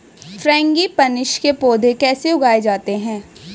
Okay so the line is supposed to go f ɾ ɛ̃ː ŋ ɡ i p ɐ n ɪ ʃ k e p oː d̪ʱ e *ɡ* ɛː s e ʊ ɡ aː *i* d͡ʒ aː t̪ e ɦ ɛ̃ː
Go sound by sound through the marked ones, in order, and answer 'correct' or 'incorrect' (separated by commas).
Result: incorrect, incorrect